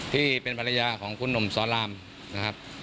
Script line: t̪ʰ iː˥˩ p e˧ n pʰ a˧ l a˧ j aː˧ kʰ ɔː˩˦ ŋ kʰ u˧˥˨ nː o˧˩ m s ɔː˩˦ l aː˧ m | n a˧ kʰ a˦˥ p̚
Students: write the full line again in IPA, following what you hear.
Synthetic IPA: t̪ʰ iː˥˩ p e˧ n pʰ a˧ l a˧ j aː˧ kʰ ɔː˩˦ ŋ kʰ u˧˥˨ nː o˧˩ m s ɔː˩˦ l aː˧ m | n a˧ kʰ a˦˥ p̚